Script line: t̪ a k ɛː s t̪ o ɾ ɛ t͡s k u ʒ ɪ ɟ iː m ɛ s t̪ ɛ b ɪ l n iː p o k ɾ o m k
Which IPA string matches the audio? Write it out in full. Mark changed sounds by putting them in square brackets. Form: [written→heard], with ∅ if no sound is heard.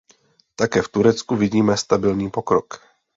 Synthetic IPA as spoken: t̪ a k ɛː [s→f] t̪ [o→u] ɾ ɛ t͡s k u [ʒ→v] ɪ ɟ iː m ɛ s t̪ [ɛ→a] b ɪ l [n→ɲ] iː p o k ɾ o [m→∅] k